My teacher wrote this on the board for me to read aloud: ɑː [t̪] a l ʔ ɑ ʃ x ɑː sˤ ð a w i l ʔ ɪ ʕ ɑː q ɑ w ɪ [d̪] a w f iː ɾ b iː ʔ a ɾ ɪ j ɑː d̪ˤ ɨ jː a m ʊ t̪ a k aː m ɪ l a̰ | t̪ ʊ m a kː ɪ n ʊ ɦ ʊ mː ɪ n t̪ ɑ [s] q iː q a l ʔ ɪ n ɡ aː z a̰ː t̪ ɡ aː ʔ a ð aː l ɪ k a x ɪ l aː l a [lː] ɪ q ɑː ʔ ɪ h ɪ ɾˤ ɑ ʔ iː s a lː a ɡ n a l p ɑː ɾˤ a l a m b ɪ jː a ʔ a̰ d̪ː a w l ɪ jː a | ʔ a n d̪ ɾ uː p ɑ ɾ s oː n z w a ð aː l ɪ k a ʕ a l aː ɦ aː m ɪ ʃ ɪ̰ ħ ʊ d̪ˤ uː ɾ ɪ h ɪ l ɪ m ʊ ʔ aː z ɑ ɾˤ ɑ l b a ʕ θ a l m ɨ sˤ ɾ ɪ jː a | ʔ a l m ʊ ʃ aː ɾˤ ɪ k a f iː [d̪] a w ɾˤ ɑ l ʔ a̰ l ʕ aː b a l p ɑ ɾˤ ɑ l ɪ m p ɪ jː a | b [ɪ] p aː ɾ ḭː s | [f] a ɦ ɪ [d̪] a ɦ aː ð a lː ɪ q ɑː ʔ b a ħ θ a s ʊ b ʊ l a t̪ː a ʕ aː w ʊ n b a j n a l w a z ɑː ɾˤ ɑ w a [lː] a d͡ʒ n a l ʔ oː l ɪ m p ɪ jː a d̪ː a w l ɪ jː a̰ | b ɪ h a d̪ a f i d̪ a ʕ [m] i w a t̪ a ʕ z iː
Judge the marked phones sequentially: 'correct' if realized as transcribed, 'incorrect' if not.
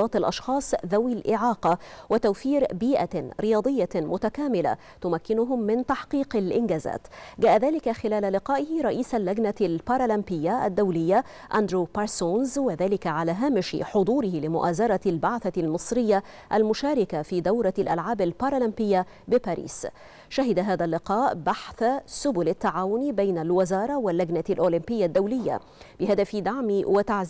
correct, incorrect, incorrect, incorrect, correct, correct, incorrect, correct, correct, correct

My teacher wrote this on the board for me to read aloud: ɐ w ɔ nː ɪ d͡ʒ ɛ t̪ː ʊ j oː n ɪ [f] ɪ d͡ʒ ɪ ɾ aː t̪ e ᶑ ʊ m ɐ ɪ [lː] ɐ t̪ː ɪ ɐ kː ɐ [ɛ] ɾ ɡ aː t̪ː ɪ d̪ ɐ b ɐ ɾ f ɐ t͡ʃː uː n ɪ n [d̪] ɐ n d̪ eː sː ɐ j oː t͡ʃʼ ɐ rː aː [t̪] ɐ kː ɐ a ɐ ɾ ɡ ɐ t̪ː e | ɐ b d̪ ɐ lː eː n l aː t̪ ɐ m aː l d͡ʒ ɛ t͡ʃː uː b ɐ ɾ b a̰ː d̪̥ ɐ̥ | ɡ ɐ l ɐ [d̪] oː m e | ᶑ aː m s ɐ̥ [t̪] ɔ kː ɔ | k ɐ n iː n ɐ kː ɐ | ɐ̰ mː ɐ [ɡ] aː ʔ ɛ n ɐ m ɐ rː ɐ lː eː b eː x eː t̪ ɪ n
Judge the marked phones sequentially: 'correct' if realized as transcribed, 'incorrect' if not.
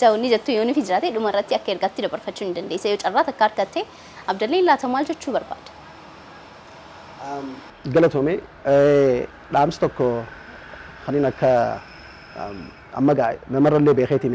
correct, incorrect, correct, correct, correct, incorrect, correct, correct

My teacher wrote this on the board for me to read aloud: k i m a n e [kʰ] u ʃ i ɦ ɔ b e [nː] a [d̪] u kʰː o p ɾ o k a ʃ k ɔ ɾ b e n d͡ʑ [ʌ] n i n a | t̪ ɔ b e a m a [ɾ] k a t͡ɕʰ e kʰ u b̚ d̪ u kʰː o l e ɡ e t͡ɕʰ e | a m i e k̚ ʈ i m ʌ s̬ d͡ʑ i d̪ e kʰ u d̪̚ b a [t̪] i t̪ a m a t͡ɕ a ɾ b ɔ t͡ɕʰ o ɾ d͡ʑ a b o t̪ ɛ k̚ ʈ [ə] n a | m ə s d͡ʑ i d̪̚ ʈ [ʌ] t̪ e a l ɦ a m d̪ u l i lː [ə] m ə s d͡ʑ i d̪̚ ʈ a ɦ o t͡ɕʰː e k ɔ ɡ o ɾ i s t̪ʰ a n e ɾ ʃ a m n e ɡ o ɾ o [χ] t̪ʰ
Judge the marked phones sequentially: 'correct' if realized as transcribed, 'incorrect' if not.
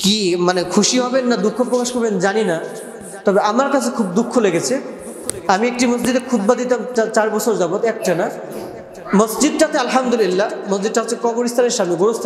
correct, correct, correct, incorrect, correct, incorrect, incorrect, incorrect, incorrect, incorrect

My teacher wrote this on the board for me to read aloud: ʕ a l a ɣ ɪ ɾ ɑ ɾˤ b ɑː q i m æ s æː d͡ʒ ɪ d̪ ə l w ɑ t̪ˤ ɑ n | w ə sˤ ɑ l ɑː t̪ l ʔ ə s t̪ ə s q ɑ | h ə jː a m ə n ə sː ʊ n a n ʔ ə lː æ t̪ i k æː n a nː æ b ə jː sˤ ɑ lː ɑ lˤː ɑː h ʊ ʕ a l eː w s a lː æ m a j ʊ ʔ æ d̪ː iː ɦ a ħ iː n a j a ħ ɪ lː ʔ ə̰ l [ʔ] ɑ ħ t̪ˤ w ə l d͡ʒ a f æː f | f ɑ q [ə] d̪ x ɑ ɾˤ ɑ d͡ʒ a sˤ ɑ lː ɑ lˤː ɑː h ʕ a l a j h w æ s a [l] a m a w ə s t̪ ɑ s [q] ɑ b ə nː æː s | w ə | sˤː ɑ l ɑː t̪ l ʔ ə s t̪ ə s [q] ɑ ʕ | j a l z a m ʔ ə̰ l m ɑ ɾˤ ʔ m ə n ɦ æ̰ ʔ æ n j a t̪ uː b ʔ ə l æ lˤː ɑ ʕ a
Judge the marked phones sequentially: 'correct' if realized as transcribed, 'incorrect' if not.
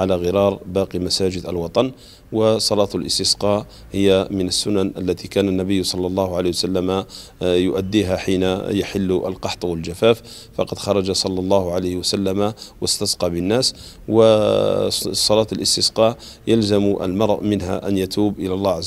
incorrect, incorrect, incorrect, correct, correct

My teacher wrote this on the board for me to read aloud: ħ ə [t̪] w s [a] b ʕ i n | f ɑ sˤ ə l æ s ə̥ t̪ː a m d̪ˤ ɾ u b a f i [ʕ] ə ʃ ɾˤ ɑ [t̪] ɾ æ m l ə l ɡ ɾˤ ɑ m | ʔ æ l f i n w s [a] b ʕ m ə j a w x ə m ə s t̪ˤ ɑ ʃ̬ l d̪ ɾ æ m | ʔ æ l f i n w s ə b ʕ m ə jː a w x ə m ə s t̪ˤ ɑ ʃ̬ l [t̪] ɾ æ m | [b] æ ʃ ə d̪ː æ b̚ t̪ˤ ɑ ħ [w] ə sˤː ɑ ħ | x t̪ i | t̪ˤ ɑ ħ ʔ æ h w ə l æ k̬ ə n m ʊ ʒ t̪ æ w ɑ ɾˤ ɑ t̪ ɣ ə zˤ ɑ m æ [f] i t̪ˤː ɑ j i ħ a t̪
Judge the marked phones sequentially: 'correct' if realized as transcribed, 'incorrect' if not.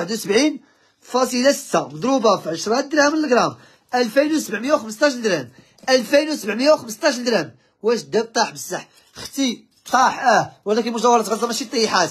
incorrect, incorrect, correct, incorrect, incorrect, incorrect, incorrect, incorrect, incorrect

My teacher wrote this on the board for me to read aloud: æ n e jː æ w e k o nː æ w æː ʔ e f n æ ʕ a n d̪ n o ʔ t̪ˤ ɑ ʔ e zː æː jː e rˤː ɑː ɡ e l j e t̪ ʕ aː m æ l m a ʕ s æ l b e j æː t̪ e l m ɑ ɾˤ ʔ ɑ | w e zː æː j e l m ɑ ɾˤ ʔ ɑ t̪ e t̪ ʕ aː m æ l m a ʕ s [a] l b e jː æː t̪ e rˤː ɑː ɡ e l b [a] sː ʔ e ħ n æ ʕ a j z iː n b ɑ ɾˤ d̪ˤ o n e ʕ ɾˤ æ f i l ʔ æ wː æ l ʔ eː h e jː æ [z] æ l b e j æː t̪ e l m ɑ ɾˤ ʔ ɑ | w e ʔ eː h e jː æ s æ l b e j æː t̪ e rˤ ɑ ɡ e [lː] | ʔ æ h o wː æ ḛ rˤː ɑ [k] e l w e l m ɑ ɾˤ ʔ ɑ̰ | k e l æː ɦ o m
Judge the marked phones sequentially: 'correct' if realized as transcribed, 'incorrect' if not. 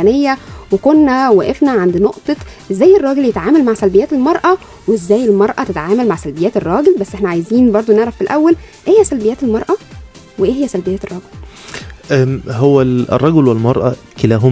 incorrect, incorrect, incorrect, incorrect, incorrect

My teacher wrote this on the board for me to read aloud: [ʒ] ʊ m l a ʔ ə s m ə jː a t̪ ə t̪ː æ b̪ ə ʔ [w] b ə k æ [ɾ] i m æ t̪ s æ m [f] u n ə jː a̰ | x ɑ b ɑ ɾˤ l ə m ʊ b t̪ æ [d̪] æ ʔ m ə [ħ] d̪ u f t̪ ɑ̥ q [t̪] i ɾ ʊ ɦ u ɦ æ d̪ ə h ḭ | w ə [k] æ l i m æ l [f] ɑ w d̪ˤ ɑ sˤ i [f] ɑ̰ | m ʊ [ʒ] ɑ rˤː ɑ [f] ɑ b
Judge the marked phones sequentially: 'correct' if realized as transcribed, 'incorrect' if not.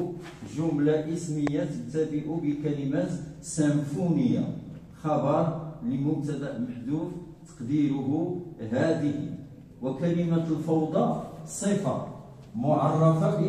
correct, incorrect, incorrect, correct, correct, correct, incorrect, correct, correct, correct, incorrect, correct

